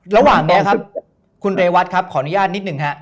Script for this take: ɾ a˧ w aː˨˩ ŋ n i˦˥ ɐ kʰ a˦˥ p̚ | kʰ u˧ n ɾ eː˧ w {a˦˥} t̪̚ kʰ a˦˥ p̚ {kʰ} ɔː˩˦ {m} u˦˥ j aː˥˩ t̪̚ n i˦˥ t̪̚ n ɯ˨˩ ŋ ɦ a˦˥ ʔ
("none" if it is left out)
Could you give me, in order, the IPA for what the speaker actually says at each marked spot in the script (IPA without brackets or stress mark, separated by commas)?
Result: a˦˥, kʰ, n